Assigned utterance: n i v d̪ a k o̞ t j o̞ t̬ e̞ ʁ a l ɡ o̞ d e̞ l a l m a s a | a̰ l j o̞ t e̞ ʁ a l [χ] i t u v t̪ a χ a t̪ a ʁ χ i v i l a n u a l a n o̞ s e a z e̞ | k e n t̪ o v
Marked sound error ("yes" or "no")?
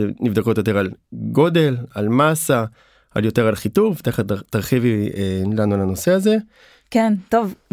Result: no